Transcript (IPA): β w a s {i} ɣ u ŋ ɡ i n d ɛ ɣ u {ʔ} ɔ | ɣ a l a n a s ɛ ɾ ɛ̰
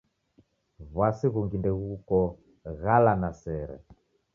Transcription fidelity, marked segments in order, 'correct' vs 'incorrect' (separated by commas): correct, incorrect